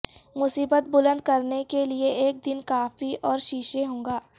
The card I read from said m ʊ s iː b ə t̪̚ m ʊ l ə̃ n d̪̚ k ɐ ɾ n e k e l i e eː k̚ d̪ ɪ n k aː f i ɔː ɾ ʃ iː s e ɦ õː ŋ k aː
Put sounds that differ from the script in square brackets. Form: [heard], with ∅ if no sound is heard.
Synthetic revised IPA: m ʊ s iː b ə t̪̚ [b] ʊ l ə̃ n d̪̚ k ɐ ɾ n e k e l i e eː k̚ d̪ ɪ n k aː f i ɔː ɾ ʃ iː [ʃ] e ɦ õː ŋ [ɡ] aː